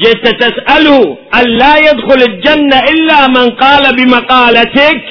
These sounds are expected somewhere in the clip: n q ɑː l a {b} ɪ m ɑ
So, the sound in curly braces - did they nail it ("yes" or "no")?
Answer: yes